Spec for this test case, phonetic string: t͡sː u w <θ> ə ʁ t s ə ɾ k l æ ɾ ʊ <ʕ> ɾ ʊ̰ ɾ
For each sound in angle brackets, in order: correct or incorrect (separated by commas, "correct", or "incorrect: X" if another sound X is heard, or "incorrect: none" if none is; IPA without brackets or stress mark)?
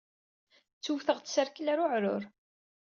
correct, correct